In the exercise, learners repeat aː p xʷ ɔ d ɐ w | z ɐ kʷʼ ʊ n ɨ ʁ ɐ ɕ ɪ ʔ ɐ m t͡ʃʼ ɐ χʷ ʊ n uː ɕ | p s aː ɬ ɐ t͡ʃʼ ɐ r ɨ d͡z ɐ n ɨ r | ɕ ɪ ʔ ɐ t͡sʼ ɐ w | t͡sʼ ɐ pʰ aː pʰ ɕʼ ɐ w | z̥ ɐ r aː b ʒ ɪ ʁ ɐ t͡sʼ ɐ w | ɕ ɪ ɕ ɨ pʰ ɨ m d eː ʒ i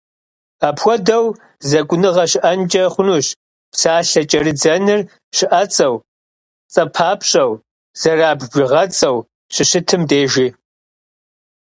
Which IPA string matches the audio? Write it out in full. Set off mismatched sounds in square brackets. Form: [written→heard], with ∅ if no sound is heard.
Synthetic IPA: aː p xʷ ɔ d ɐ w | z ɐ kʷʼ ʊ n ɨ ʁ ɐ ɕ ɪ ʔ ɐ [m→n] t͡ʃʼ ɐ χʷ ʊ n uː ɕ | p s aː ɬ ɐ t͡ʃʼ ɐ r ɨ d͡z ɐ n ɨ r | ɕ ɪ ʔ ɐ t͡sʼ ɐ w | t͡sʼ ɐ pʰ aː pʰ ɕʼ ɐ w | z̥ ɐ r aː b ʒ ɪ ʁ ɐ t͡sʼ ɐ w | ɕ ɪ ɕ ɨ [pʰ→tʰ] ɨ m d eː ʒ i